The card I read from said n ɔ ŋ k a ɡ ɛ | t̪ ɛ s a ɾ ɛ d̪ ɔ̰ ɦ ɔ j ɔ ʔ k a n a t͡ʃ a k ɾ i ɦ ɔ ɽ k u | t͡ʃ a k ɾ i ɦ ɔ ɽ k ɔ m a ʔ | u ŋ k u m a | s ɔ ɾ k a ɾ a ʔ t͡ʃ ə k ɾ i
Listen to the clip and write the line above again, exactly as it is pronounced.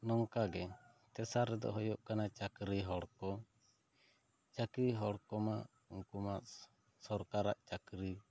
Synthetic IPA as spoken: n ɔ ŋ k a ɡ ɛ | t̪ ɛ s a ɾ ɛ d̪ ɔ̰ ɦ ɔ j ɔ ʔ k a n a t͡ʃ a k ɾ i ɦ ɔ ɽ k ɔ | t͡ʃ a k ɾ i ɦ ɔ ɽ k ɔ m a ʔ | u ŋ k u m a | s ɔ ɾ k a ɾ a ʔ t͡ʃ a k ɾ i